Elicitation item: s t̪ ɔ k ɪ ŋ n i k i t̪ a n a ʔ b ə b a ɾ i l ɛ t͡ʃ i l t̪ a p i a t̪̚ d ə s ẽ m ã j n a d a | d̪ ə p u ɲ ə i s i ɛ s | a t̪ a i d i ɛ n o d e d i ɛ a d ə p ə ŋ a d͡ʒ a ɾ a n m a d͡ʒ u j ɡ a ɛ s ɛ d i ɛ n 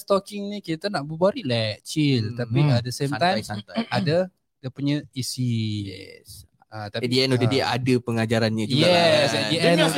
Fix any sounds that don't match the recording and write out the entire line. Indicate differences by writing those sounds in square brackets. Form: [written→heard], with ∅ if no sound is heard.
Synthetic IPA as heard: s t̪ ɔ k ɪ ŋ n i k i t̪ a n a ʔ b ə b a ɾ i l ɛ t͡ʃ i l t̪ a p i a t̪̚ d ə s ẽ m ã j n a d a | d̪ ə p u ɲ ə i s i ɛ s | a t̪ a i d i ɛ n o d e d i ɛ a d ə p ə ŋ a d͡ʒ a ɾ a n [m→ɲ] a d͡ʒ u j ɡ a ɛ s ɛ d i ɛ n